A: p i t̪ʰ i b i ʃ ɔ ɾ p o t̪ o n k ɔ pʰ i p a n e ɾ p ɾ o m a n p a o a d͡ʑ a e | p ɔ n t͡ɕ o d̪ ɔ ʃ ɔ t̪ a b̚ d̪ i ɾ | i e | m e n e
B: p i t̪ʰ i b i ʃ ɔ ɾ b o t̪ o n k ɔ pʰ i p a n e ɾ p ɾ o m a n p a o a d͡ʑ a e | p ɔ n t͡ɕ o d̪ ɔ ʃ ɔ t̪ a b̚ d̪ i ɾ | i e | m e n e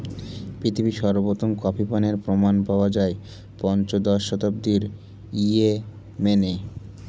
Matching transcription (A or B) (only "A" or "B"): B